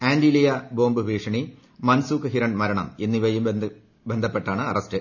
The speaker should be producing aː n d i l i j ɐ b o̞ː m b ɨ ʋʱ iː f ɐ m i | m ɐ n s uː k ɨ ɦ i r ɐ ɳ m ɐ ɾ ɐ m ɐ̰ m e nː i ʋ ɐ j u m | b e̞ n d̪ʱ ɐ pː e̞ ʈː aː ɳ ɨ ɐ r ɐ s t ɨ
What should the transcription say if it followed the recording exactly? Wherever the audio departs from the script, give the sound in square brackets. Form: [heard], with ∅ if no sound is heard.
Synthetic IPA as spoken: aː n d i l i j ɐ b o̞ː m b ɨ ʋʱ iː [ʂ] ɐ [ɳ] i | m ɐ n s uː k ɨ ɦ i [ɾ] ɐ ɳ m ɐ ɾ ɐ [ɳ] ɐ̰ m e nː i ʋ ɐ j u m | b e̞ n d̪ʱ ɐ pː e̞ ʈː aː ɳ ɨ ɐ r ɐ s t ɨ